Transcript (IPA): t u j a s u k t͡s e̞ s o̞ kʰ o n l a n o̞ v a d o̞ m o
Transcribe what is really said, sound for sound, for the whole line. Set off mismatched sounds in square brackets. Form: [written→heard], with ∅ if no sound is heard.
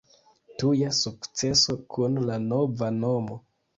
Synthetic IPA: t u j a s u k t͡s e̞ s o̞ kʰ [o→u] n l a n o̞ v a [d→n] o̞ m o